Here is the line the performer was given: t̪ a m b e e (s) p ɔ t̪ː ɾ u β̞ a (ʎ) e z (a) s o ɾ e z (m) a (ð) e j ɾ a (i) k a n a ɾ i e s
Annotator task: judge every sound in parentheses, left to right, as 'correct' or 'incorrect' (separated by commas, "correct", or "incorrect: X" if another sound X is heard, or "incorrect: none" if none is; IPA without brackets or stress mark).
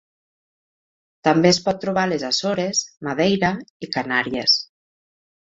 correct, incorrect: l, correct, correct, correct, correct